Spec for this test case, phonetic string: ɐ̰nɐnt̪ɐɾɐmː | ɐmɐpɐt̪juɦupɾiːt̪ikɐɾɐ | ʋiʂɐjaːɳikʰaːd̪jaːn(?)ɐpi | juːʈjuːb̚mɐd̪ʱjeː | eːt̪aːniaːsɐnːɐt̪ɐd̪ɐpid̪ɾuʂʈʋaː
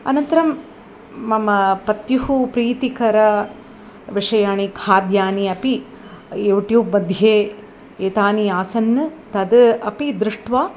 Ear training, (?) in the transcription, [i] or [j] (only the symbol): i